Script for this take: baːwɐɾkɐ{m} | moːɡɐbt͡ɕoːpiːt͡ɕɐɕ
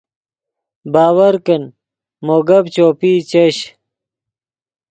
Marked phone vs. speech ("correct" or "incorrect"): incorrect